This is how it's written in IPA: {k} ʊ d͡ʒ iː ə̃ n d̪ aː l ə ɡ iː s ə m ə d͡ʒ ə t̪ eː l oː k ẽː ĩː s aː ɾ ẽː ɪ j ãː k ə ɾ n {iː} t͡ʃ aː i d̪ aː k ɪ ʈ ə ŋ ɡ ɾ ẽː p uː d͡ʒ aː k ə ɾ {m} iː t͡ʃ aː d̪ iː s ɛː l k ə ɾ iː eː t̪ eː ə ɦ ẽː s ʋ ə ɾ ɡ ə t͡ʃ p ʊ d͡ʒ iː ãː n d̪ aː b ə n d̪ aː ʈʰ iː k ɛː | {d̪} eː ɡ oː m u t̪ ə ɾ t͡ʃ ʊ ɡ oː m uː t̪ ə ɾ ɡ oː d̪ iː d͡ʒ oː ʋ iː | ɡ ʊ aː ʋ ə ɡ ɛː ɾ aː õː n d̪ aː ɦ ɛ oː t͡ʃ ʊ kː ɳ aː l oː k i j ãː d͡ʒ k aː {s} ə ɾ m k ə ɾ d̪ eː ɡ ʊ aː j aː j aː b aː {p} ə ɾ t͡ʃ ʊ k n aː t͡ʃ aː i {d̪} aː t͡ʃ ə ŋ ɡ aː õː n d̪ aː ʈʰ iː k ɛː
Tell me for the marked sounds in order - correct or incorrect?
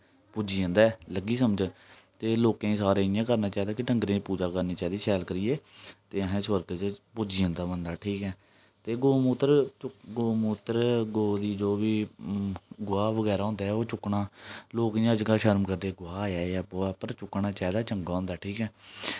incorrect, incorrect, incorrect, incorrect, incorrect, correct, correct

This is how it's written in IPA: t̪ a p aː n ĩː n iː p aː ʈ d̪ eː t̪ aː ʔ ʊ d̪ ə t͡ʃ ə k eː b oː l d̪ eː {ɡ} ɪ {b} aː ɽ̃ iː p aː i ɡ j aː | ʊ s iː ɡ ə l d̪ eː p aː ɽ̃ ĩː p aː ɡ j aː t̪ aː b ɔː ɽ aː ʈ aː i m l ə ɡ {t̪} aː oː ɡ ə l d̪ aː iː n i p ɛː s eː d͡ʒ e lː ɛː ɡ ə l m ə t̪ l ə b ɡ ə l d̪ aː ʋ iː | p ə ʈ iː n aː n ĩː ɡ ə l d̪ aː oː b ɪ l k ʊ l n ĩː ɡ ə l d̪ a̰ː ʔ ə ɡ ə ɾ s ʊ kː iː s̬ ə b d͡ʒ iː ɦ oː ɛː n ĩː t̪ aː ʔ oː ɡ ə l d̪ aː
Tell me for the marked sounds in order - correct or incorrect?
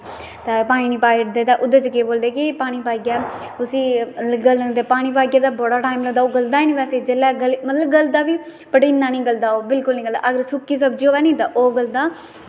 incorrect, incorrect, incorrect

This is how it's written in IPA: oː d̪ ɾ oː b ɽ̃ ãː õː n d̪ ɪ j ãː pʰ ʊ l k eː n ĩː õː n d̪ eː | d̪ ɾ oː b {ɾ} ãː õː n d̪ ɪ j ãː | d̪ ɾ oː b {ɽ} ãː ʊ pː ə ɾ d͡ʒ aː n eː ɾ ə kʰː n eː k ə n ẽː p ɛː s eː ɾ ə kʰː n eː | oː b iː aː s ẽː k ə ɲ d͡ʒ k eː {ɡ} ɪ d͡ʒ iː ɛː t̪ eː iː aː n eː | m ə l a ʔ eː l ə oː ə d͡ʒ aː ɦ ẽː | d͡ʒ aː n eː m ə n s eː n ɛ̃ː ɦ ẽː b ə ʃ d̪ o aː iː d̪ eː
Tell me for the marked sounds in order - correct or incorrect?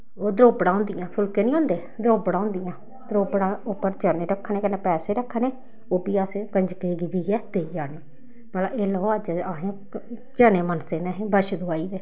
incorrect, correct, correct

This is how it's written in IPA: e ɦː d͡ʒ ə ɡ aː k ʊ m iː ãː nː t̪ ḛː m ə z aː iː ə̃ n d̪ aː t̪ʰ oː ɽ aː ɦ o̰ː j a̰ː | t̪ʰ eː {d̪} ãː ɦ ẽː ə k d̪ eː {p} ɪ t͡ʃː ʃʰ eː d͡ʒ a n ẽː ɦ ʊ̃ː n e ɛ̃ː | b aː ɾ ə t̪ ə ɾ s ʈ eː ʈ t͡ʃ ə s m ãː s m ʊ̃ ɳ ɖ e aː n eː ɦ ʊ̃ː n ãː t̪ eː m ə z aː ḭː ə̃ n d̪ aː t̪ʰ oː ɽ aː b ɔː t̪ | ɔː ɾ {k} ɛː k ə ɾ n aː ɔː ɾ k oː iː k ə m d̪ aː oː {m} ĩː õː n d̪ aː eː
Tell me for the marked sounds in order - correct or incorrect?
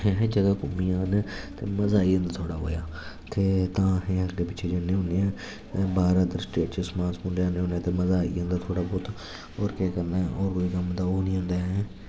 incorrect, correct, correct, incorrect

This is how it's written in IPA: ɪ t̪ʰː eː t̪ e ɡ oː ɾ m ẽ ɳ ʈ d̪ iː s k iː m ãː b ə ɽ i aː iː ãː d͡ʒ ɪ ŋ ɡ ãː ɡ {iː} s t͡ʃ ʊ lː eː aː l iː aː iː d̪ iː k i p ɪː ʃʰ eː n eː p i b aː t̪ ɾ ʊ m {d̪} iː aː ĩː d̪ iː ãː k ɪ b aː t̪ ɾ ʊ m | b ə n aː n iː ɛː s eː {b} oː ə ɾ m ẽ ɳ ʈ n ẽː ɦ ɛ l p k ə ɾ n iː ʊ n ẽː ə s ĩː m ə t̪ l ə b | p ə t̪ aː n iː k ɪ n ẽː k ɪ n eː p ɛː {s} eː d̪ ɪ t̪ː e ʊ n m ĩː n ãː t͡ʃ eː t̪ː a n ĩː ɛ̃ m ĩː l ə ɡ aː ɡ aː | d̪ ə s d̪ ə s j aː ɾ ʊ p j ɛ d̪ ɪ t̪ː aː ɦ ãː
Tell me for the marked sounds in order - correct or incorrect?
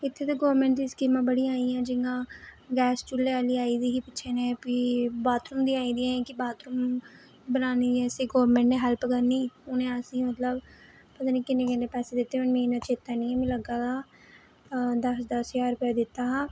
incorrect, correct, incorrect, correct

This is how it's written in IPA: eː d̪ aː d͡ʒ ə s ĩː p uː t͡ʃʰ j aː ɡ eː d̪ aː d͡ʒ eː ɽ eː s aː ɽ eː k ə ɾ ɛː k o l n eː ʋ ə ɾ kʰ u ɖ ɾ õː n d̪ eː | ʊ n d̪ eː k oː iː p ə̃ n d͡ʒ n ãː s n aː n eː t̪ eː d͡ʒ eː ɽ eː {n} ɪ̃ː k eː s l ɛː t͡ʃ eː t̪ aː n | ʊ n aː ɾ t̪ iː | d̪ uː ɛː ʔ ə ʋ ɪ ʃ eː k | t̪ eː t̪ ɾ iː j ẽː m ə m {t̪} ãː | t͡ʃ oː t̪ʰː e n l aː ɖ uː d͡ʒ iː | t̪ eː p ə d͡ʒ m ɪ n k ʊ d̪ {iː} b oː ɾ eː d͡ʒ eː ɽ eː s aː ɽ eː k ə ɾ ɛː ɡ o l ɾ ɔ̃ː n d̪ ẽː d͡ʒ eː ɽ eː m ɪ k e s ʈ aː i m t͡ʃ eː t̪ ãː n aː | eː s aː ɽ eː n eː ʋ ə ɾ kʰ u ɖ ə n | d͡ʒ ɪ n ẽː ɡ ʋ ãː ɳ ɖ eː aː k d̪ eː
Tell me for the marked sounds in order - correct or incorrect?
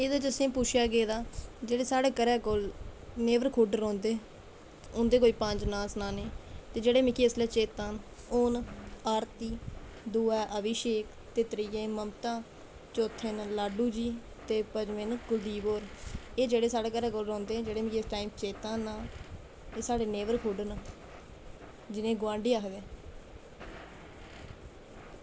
incorrect, correct, correct

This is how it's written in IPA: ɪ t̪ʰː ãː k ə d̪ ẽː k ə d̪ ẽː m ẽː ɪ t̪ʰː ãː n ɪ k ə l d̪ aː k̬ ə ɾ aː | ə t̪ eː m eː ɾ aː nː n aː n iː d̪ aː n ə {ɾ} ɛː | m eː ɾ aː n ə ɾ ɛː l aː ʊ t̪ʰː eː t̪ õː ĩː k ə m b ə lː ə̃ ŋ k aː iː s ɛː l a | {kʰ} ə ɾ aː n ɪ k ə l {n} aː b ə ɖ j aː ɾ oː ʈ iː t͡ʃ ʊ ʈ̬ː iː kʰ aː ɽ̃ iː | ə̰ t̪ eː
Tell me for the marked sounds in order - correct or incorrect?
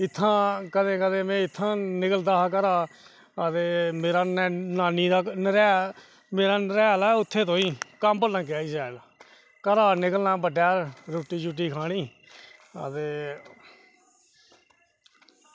correct, incorrect, correct

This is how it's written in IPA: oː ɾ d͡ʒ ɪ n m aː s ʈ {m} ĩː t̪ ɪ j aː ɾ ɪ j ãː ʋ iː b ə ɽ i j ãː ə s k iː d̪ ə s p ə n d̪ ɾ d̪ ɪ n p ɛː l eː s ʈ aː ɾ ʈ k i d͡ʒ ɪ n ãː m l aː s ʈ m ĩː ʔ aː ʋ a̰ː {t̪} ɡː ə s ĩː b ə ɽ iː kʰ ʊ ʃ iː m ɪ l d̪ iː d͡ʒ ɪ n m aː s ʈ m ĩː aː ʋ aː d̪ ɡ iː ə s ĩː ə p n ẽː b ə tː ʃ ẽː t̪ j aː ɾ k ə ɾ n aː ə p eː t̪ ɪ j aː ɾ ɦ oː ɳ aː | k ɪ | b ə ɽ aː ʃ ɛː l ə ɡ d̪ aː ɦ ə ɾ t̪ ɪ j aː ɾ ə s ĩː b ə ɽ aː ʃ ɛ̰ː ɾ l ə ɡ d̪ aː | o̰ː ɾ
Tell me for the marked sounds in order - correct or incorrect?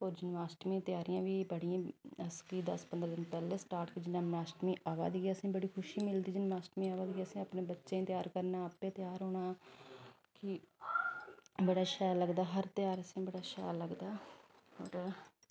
correct, incorrect

